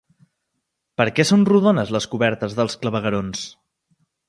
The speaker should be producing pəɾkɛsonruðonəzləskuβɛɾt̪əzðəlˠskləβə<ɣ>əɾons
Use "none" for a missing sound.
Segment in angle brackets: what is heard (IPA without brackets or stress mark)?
ɣ